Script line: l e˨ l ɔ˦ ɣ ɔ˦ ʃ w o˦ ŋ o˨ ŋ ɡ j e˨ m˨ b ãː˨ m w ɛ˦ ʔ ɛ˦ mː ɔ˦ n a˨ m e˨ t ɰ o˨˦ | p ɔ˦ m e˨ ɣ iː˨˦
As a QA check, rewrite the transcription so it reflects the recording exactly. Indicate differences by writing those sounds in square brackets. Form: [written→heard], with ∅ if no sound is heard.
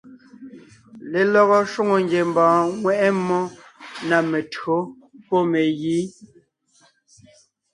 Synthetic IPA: l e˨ l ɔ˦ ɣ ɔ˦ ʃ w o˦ ŋ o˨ ŋ ɡ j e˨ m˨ b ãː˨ [m→ŋ] w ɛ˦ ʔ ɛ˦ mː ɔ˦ n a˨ m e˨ t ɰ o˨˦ | p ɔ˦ m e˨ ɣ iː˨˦